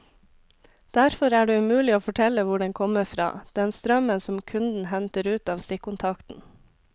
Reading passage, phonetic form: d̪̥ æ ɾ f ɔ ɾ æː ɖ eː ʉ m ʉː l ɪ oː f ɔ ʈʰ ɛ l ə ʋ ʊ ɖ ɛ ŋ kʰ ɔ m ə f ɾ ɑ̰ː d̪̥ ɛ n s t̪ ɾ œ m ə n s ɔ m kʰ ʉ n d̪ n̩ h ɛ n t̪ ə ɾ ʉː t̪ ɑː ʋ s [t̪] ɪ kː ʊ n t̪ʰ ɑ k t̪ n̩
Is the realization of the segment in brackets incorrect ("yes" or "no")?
no